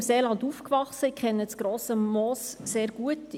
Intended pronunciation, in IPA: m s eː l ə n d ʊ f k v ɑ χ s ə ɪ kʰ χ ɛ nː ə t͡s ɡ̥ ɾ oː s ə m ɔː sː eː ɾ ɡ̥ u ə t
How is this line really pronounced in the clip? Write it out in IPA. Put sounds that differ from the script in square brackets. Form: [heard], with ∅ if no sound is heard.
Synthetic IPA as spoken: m s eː l [ɑ] n d [u] f k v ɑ χ s ə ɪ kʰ χ ɛ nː ə t͡s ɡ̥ ɾ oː s ə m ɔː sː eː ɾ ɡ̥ u ə t